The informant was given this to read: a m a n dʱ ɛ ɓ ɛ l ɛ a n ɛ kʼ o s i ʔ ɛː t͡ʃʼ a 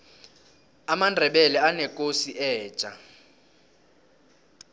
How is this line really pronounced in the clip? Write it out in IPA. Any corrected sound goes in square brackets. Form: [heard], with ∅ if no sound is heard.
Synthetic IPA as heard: a m a n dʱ ɛ ɓ ɛ l ɛ a n ɛ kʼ o s i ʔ ɛː t͡ʃʼ a